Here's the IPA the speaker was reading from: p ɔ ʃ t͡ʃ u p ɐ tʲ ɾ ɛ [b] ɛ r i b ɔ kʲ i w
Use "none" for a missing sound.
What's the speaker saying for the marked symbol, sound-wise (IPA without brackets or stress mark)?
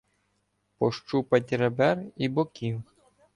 b